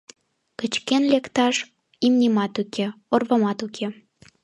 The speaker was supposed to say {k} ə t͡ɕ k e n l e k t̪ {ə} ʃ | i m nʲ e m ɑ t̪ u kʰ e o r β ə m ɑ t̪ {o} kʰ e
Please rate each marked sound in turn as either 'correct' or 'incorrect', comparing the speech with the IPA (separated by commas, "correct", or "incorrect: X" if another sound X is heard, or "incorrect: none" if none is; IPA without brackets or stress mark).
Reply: correct, incorrect: ɑ, incorrect: u